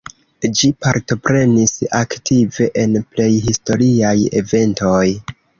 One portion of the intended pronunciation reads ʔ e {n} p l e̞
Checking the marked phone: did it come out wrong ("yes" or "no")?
no